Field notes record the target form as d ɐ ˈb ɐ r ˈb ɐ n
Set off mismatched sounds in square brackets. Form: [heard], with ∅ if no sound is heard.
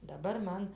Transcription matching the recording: d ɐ ˈb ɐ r [ˈm] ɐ n